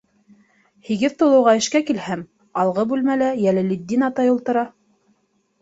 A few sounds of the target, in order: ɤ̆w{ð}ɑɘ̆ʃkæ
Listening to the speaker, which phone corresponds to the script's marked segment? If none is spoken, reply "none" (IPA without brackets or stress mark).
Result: ʁ